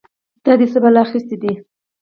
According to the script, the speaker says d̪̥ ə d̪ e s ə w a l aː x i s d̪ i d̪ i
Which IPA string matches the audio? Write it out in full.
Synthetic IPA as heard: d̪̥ ɑ d̪ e s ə b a l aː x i s t̪ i d̪ i